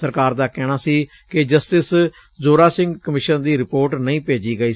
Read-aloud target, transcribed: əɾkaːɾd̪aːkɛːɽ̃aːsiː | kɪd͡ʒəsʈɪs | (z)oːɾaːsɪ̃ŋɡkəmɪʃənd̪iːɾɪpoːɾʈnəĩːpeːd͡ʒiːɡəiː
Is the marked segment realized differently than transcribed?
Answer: no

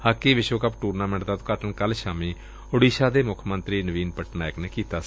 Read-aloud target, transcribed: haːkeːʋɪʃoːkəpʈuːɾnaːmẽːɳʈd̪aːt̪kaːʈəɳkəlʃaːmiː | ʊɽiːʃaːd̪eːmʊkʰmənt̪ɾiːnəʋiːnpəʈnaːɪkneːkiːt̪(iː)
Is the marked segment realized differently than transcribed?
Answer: yes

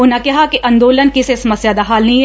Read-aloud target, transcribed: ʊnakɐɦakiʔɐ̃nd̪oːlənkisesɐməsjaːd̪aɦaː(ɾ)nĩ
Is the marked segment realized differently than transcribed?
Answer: yes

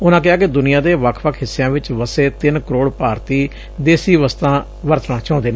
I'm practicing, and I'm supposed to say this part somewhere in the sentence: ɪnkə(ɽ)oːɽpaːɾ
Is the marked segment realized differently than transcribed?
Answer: yes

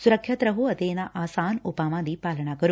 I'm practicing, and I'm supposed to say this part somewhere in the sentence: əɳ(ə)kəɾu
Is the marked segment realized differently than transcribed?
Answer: yes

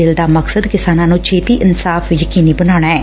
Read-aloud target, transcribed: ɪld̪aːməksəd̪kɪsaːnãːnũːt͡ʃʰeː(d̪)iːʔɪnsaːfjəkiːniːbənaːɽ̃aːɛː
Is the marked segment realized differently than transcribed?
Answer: yes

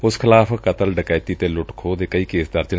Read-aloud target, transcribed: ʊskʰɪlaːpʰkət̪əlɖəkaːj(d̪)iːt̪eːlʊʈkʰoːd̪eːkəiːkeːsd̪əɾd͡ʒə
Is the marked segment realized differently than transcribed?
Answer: yes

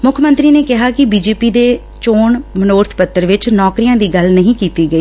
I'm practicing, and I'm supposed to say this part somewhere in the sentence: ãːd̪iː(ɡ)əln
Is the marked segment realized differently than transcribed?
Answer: no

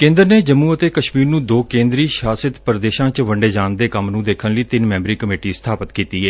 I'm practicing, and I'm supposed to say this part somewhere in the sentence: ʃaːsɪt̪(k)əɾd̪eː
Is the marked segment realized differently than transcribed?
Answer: yes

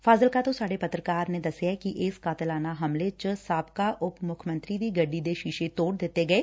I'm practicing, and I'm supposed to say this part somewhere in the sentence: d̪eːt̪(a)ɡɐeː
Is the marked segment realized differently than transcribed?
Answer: yes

